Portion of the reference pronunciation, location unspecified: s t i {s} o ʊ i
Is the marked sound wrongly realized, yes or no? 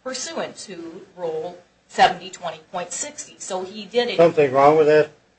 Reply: no